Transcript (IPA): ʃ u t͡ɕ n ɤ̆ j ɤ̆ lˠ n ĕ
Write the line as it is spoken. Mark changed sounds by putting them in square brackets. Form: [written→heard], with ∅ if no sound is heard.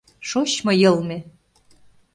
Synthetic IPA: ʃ [u→o] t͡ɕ [n→m] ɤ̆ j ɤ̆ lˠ [n→m] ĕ